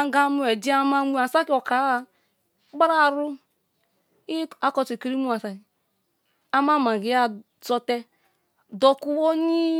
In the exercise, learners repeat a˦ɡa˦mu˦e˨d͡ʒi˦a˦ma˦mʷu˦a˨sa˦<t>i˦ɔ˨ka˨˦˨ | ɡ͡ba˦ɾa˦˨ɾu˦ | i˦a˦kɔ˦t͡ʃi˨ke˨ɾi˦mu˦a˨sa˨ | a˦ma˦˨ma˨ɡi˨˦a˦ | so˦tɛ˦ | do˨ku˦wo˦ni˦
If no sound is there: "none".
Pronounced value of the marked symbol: k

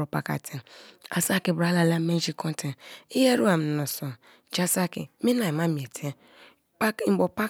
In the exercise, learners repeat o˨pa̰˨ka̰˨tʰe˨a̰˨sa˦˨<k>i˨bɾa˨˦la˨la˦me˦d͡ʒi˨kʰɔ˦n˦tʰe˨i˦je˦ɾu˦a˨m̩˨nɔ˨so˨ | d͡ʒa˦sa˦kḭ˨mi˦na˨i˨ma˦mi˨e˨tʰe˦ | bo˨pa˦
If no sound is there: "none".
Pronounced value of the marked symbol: k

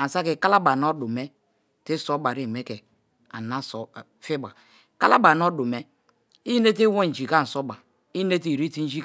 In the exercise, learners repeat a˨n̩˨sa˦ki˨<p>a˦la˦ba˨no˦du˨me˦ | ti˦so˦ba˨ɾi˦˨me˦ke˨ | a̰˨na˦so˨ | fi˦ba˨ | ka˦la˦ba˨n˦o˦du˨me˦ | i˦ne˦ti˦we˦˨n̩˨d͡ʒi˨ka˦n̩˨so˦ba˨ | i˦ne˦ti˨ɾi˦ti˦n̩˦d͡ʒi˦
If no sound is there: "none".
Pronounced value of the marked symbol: k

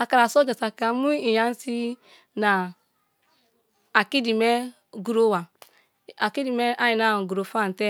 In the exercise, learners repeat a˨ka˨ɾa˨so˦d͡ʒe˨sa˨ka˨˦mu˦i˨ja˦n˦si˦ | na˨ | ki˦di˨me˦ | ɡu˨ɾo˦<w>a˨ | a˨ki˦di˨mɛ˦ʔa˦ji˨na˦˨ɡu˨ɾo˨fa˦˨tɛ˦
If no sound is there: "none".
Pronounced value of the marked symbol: w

